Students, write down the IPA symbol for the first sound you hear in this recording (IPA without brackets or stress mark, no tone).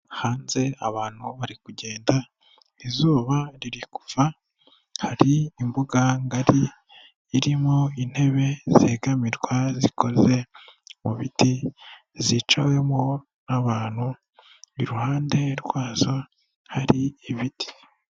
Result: h